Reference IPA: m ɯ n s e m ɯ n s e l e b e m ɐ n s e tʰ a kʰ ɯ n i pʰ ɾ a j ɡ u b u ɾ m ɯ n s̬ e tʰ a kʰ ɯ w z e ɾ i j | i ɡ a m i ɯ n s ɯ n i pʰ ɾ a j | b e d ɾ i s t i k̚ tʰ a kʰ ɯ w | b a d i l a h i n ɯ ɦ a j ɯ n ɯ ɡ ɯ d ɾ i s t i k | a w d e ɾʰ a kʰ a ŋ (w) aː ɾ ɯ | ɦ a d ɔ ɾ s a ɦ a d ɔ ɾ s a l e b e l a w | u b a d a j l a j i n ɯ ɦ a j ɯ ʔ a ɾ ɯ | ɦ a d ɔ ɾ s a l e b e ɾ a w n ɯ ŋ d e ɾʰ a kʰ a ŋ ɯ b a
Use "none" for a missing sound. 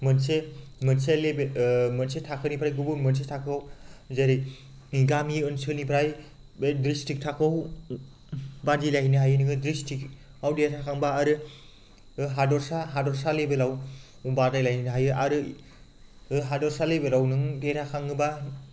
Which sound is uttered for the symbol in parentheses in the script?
b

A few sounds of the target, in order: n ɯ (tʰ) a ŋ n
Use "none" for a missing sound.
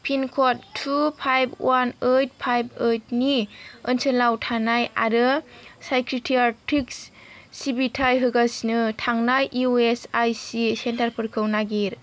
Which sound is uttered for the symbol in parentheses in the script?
tʰ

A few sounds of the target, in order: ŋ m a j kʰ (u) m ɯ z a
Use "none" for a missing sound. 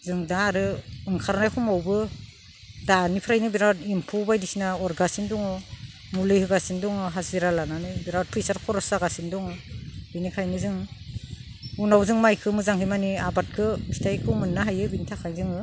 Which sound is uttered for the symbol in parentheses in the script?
ɯ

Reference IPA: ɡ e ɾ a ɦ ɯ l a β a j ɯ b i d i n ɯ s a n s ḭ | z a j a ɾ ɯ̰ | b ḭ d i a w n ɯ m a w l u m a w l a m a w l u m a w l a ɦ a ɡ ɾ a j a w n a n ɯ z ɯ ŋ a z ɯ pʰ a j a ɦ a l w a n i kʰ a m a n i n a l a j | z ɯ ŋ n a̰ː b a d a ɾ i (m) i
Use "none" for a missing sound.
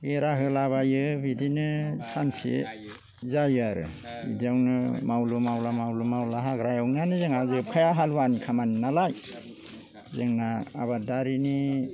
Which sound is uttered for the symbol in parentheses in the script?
n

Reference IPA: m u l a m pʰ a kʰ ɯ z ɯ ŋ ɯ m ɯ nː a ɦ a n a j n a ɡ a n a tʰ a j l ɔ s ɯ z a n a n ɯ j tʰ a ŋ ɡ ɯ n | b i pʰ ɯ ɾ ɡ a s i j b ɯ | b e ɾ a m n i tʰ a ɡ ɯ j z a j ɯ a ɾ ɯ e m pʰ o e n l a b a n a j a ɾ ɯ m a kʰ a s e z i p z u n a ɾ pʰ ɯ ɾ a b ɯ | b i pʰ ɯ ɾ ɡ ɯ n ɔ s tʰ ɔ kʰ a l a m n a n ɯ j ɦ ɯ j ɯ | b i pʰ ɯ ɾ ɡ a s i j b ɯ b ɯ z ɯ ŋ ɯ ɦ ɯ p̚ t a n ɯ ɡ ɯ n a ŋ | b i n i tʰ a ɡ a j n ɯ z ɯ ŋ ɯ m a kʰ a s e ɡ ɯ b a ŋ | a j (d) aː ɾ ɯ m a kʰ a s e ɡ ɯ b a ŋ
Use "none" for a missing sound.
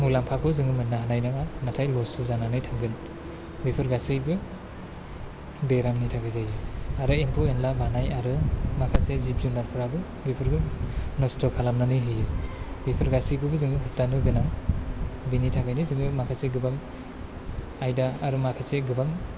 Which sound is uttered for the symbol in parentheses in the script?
d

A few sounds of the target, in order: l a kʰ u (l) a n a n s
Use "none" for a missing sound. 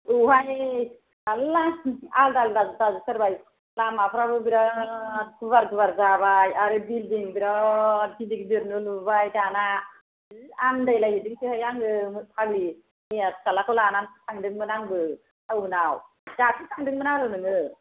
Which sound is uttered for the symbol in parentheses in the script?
l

